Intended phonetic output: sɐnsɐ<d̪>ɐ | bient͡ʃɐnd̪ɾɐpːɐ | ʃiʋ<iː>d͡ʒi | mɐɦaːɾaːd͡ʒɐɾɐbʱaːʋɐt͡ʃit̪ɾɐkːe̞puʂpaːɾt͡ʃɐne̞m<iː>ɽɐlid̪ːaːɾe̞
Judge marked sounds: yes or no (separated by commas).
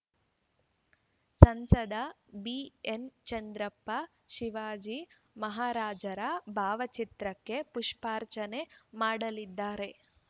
yes, no, no